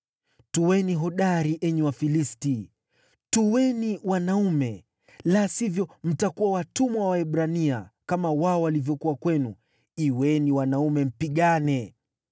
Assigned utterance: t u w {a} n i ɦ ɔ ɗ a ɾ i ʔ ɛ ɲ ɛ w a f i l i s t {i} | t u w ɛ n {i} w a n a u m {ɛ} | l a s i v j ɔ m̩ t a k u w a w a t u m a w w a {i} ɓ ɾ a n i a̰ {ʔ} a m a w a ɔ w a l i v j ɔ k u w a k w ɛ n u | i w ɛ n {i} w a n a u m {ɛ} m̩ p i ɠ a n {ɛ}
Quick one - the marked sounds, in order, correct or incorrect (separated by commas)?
incorrect, correct, correct, correct, incorrect, incorrect, correct, correct, correct